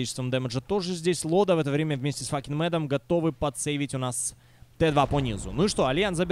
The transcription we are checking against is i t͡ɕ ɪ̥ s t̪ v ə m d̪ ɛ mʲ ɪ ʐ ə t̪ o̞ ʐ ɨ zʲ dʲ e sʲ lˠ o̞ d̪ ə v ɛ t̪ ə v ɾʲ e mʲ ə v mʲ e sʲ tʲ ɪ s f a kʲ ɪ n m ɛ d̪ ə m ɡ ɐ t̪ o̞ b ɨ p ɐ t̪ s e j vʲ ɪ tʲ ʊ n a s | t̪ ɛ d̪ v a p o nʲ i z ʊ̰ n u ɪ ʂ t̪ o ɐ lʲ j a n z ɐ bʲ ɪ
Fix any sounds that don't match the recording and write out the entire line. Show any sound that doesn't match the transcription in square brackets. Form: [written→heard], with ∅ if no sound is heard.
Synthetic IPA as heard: i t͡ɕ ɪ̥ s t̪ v ə m d̪ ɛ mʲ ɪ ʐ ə t̪ o̞ ʐ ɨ zʲ dʲ e sʲ lˠ o̞ d̪ ə v ɛ t̪ ə v ɾʲ e mʲ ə v mʲ e sʲ tʲ ɪ s f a kʲ ɪ n m ɛ d̪ ə m ɡ ɐ t̪ o̞ [b→v] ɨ p ɐ t̪ s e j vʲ ɪ tʲ ʊ n a s | t̪ ɛ d̪ v a p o nʲ i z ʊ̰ n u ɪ ʂ t̪ o ɐ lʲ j a n z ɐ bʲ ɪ